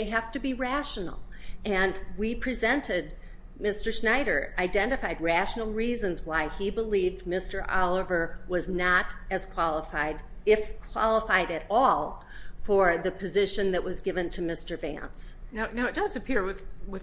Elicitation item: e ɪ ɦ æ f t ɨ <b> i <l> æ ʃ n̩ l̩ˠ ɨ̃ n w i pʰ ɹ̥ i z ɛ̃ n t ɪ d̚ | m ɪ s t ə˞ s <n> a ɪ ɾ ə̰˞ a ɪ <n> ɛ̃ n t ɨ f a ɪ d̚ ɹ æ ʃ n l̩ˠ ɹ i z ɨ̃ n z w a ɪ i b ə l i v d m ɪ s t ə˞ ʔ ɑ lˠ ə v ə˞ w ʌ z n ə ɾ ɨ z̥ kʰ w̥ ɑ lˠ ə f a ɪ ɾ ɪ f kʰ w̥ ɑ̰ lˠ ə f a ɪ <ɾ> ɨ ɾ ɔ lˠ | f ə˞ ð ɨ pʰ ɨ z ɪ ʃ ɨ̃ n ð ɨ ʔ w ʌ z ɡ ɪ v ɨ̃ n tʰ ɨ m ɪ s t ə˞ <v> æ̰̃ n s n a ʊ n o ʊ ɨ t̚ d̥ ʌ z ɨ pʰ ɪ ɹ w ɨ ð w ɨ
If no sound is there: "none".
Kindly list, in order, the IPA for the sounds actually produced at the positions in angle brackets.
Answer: b, ɹ, n, d, ɾ, v

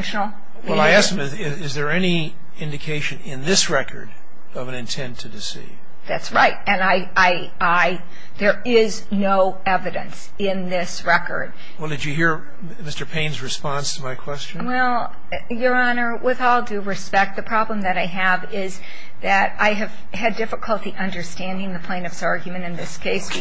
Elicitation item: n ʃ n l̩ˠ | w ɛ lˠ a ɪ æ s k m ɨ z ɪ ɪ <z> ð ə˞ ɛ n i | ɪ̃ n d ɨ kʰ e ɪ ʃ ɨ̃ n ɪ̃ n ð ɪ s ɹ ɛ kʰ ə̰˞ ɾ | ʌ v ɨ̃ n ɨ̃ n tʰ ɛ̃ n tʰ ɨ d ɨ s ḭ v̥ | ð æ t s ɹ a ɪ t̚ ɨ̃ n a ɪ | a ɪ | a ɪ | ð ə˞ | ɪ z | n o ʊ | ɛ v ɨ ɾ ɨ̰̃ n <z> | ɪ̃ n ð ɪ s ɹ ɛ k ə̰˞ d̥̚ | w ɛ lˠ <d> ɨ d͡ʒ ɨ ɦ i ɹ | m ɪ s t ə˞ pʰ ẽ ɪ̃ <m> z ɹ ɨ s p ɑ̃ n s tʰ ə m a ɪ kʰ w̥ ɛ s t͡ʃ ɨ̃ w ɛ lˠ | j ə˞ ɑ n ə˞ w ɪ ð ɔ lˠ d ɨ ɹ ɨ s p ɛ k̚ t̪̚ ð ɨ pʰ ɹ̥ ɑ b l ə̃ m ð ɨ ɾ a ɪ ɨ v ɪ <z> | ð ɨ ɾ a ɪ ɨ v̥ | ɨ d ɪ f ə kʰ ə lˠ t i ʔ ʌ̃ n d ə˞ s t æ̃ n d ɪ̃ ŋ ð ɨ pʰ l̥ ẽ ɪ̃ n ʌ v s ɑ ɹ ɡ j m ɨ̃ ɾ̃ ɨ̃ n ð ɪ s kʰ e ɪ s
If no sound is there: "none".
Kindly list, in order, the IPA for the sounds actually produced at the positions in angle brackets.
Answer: z, s, d, n, z

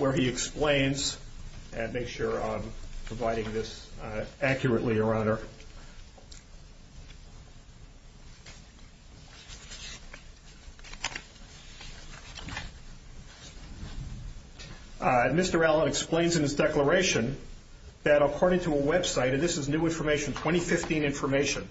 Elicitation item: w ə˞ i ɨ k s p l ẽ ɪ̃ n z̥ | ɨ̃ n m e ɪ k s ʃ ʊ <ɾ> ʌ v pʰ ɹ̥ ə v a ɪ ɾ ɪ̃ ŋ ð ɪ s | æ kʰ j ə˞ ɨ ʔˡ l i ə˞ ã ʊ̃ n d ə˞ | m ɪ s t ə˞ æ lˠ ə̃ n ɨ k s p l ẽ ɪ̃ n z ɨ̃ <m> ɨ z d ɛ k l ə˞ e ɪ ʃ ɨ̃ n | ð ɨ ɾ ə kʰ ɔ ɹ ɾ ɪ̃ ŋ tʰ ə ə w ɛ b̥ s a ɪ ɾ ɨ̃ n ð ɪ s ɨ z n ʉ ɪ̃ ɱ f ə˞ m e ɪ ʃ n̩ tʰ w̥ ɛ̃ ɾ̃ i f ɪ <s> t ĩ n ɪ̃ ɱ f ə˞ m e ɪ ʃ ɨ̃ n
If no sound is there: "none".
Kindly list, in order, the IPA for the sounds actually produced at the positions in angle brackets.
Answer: ɹ, n, f

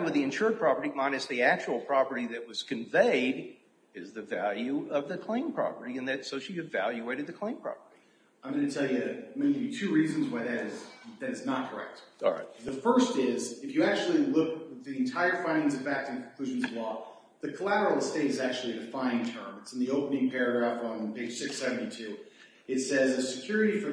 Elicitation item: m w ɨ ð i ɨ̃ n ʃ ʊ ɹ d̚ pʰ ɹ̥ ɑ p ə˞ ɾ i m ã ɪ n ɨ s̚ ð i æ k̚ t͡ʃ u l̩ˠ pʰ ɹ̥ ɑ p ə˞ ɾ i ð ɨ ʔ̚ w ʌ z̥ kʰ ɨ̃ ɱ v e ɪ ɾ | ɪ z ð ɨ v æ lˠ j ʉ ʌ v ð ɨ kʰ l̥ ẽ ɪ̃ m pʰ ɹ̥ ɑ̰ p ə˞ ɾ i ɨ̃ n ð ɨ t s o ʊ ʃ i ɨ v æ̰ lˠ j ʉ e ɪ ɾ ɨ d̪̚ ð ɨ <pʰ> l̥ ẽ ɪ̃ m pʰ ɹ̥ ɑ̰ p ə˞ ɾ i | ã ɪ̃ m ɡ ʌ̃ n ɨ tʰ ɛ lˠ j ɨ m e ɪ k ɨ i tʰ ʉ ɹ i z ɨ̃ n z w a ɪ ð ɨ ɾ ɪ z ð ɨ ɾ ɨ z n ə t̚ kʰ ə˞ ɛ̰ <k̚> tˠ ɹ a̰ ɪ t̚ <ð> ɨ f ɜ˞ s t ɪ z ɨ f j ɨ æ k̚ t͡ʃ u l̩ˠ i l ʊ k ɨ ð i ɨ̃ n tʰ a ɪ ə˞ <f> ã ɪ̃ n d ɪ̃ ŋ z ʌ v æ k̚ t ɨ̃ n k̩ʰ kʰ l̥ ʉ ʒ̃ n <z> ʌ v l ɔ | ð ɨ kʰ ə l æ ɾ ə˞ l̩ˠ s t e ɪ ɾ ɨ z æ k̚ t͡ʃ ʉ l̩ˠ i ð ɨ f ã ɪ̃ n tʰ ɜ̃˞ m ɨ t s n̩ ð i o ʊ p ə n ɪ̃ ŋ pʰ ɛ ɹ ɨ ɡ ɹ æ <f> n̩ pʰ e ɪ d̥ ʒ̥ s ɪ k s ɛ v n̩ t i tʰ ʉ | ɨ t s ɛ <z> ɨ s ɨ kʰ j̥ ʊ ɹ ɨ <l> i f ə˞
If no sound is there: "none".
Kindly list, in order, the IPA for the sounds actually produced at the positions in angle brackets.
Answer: kʰ, k̚, ð, f, z, f, z, ɾ

